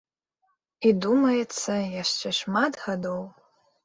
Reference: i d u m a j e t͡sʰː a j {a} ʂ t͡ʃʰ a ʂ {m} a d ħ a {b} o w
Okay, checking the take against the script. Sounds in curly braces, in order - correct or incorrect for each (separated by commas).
correct, correct, incorrect